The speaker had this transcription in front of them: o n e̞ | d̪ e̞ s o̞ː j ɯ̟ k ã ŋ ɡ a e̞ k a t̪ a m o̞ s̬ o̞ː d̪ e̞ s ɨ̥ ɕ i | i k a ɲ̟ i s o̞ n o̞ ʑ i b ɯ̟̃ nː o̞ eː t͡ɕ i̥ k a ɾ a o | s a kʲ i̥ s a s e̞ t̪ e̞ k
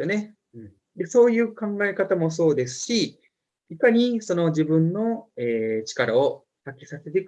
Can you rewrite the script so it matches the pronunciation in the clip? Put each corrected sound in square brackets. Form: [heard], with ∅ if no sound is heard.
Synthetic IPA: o n e̞ | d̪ e̞ s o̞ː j [ɯ̟ː] k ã ŋ ɡ a e̞ k a t̪ a m o̞ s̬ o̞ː d̪ e̞ s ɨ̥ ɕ i | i k a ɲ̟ i s o̞ n o̞ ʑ i b ɯ̟̃ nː o̞ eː t͡ɕ i̥ k a ɾ a o | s a kʲ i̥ s a s e̞ t̪ e̞ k